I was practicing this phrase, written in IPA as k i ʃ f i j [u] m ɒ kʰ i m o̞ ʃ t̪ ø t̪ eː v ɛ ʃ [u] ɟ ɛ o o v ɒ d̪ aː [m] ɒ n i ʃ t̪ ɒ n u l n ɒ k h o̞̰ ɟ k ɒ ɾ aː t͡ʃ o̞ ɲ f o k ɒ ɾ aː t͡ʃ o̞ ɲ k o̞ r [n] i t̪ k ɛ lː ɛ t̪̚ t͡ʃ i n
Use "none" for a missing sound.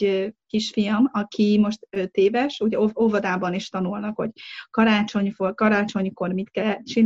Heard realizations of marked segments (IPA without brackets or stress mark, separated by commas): ɒ, u, b, m